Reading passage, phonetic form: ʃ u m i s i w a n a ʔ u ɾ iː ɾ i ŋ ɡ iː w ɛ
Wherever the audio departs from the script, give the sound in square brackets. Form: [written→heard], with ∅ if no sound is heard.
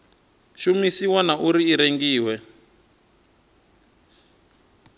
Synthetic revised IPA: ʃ u m i s i w a n a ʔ u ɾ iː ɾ [i→e] ŋ ɡ iː w ɛ